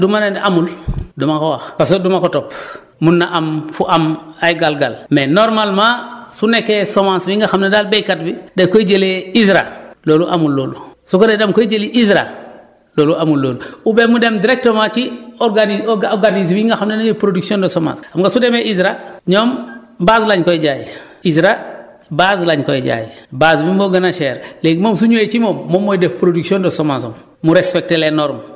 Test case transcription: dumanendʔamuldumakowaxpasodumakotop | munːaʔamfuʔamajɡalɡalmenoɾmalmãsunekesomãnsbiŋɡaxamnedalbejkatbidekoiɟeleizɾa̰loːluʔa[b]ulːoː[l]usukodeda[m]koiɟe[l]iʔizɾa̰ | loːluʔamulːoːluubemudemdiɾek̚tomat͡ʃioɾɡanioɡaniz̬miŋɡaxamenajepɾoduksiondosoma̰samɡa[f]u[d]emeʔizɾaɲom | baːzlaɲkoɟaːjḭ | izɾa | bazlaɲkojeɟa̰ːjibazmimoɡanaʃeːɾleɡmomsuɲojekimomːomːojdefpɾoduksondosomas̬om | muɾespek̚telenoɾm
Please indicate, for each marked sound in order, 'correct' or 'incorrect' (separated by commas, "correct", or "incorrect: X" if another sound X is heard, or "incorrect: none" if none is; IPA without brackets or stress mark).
incorrect: m, correct, correct, correct, incorrect: s, correct